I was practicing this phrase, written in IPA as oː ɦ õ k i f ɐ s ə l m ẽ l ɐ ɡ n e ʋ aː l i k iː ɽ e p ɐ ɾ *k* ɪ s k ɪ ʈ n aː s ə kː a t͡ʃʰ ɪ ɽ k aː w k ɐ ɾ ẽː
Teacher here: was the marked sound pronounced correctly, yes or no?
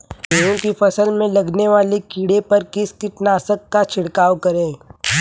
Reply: yes